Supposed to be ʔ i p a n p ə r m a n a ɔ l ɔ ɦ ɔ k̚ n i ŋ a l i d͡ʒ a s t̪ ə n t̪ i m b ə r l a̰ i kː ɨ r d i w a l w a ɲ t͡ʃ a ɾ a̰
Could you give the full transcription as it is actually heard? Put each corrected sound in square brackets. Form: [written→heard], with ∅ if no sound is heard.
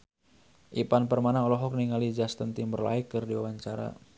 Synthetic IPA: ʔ i p a n p ə r m a n a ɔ l ɔ ɦ ɔ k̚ n i ŋ a l i d͡ʒ a s t̪ ə n t̪ i m b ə r l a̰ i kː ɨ r d i w a [l→∅] w a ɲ t͡ʃ a ɾ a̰